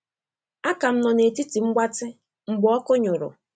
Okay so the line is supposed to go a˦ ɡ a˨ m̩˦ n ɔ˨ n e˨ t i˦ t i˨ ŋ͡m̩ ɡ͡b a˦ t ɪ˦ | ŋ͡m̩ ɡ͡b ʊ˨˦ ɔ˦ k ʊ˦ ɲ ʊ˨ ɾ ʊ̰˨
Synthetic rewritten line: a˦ k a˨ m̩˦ n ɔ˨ n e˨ t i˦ t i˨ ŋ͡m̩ ɡ͡b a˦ t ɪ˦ | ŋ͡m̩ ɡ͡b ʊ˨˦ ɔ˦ k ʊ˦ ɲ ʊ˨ ɾ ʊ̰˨